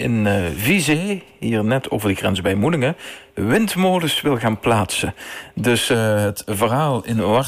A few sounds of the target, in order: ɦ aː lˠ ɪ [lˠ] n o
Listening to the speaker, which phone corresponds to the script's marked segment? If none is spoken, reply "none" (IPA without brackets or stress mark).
none